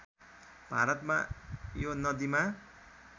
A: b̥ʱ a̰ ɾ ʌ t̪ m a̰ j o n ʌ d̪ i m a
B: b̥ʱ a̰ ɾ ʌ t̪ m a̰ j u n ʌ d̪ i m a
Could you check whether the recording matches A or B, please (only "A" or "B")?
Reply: A